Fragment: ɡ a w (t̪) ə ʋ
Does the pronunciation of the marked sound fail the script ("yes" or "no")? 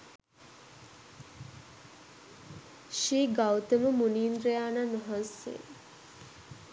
no